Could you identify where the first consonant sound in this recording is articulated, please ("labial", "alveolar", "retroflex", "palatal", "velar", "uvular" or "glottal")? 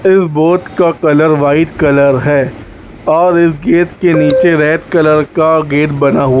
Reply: alveolar